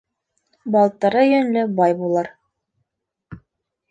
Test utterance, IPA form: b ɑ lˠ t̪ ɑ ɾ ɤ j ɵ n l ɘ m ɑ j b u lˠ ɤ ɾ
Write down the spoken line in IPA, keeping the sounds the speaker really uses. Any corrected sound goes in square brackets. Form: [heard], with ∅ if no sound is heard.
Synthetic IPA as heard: b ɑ lˠ t̪ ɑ ɾ ɤ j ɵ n l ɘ [b] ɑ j b u lˠ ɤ ɾ